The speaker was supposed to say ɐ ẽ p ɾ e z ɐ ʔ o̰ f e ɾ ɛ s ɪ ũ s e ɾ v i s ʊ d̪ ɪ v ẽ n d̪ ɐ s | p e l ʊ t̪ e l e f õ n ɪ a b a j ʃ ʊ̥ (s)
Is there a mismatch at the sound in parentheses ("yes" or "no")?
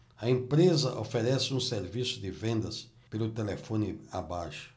yes